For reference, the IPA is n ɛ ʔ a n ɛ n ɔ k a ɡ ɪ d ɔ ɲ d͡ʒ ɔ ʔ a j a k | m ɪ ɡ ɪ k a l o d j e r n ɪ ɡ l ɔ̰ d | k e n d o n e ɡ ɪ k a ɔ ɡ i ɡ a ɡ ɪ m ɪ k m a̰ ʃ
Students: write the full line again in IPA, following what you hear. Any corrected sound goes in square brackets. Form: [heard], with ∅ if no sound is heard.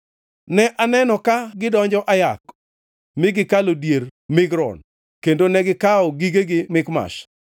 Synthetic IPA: n ɛ ʔ a n ɛ n ɔ k a ɡ ɪ d ɔ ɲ d͡ʒ ɔ ʔ a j a k | m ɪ ɡ ɪ k a l o d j e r [m] ɪ ɡ [ɾ] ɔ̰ [n] | k e n d o n [ɛ] ɡ ɪ k a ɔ ɡ i ɡ [e] ɡ ɪ m ɪ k m a̰ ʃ